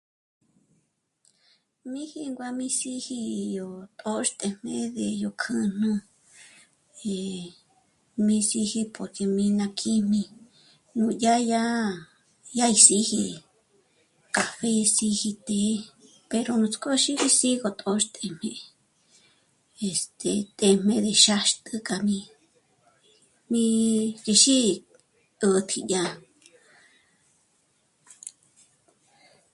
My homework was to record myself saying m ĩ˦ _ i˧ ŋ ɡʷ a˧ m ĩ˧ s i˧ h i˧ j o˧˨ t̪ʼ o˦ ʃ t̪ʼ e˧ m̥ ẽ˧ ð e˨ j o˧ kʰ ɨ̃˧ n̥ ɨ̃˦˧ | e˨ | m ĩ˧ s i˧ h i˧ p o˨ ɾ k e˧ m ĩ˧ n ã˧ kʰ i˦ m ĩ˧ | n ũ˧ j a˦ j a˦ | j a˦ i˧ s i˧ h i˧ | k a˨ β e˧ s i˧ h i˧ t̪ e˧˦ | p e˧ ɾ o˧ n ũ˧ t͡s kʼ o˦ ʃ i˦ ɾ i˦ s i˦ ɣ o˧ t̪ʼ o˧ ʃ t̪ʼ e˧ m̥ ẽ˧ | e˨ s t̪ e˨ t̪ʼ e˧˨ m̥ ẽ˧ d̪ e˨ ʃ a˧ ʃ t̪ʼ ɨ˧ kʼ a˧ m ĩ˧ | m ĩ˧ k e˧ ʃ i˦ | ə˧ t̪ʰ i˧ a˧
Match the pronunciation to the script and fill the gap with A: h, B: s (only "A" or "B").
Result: A